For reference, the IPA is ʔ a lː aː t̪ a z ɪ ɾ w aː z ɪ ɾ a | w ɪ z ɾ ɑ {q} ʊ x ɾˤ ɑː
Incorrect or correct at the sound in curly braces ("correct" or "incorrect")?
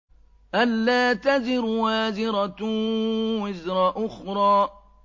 incorrect